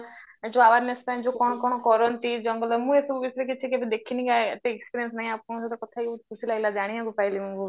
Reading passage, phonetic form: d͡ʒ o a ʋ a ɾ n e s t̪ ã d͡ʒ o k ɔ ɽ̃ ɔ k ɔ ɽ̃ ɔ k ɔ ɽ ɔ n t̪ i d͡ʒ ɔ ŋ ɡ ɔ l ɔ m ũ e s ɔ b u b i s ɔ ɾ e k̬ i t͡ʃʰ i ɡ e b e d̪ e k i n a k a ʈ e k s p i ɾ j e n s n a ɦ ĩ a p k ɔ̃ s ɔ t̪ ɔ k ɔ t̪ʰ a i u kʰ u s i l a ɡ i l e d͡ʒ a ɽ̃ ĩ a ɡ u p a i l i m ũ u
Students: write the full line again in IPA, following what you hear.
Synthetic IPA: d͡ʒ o a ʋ a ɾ n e s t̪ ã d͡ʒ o k ɔ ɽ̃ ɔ k ɔ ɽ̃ ɔ k ɔ ɾ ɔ n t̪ i d͡ʒ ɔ ŋ ɡ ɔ l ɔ m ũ e s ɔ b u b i s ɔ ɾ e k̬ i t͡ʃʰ i k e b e d̪ e kʰ i n i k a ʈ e k s p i ɾ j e n s n a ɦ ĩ a p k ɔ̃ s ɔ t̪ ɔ k ɔ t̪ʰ a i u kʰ u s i l a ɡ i l a d͡ʒ a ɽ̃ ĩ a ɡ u p a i l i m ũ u

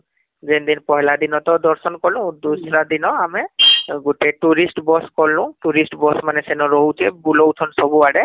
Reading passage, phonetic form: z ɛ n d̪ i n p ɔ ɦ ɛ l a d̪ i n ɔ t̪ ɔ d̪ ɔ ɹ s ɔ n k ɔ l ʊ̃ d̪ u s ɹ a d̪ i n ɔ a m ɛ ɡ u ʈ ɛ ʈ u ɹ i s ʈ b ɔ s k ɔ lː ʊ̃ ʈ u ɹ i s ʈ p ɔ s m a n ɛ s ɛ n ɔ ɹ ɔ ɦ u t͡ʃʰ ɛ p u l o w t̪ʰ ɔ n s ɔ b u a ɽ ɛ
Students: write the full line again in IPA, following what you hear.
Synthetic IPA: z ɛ n d̪ i n p ɔ ɦ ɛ l a d̪ i n ɔ t̪ ɔ d̪ ɔ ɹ s ɔ n k ɔ l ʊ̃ d̪ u s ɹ a d̪ i n ɔ a m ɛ ɡ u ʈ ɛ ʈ u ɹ i s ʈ b ɔ s k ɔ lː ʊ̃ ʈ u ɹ i s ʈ b ɔ s m a n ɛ s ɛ n ɔ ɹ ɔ ɦ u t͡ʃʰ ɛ b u l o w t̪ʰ ɔ n s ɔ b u a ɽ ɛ

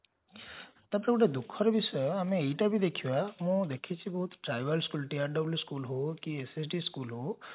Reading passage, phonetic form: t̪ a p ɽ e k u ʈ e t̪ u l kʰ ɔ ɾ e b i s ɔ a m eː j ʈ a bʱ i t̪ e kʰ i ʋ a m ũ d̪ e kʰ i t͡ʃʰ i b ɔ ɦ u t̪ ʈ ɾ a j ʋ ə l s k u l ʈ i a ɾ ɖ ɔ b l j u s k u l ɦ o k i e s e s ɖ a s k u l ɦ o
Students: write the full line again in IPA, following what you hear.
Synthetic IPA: t̪ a p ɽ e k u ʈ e d̪ u kʰ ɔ ɾ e b i s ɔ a m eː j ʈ a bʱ i d̪ e kʰ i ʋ a m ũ d̪ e kʰ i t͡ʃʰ i b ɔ ɦ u t̪ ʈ ɾ a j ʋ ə l s k u l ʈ i a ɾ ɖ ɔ b l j u s k u l ɦ o k i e s e s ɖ i s k u l ɦ o

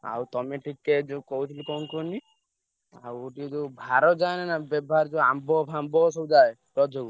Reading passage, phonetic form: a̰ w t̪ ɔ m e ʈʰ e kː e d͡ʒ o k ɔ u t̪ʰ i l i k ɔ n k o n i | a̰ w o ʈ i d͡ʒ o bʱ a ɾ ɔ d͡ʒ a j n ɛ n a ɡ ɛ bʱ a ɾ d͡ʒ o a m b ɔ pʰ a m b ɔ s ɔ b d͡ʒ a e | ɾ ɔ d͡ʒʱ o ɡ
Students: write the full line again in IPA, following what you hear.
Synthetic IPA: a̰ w t̪ ɔ m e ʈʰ i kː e d͡ʒ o k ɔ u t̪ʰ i l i k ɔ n k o n i | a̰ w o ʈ i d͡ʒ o bʱ a ɾ ɔ d͡ʒ a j n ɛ n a b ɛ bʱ a ɾ d͡ʒ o a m b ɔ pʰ a m b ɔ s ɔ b d͡ʒ a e | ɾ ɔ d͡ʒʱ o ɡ

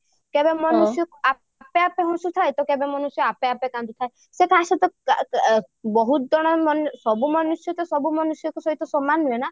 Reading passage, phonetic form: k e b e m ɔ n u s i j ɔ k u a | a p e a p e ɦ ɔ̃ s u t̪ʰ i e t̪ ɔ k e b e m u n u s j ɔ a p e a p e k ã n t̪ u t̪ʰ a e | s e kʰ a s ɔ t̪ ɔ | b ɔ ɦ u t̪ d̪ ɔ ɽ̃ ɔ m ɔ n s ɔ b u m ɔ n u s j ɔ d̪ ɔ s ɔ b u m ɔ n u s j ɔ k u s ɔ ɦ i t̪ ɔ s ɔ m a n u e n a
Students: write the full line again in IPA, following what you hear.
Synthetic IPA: k e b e m ɔ n u s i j ɔ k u a | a p e a p e ɦ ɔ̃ s u t̪ʰ a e t̪ ɔ k e b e m ɔ n u s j ɔ a p e a p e k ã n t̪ u t̪ʰ a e | s e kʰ a s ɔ t̪ ɔ | b ɔ ɦ u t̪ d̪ ɔ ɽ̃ ɔ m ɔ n s ɔ b u m ɔ n u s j ɔ t̪ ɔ s ɔ b u m ɔ n u s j ɔ k u s ɔ ɦ i t̪ ɔ s ɔ m a n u e n a

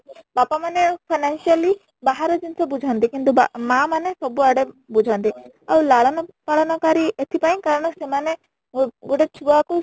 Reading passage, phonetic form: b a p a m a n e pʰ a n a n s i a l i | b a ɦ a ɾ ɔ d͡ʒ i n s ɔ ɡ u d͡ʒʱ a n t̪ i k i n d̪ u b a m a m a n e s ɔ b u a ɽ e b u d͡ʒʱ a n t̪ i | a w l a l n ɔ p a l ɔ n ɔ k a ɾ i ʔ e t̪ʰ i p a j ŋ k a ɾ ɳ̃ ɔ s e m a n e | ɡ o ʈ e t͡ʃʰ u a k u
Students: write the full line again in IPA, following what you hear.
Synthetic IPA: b a p a m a n e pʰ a n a n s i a l i | b a ɦ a ɾ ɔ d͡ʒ i n s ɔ b u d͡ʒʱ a n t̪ i k i n t̪ u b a m a m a n e s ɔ b u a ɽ e b u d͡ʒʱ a n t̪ i | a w l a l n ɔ p a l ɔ n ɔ k a ɾ i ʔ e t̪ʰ i p a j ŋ k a ɾ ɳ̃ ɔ s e m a n e | ɡ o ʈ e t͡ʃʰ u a k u

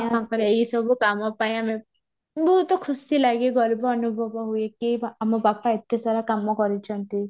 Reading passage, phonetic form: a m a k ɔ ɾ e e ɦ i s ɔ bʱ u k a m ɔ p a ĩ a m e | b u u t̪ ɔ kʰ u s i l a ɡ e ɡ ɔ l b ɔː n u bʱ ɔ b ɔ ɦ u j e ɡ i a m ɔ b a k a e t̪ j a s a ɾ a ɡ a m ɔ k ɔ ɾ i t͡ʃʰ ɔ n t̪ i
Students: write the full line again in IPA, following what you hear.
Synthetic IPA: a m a k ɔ ɾ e e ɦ i s ɔ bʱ u k a m ɔ p a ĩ a m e | b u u t̪ ɔ kʰ u s i l a ɡ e ɡ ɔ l b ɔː n u bʱ ɔ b ɔ ɦ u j e k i a m ɔ b a p a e t̪ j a s a ɾ a k a m ɔ k ɔ ɾ i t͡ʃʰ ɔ n t̪ i

